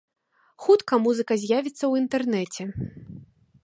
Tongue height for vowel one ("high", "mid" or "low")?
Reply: high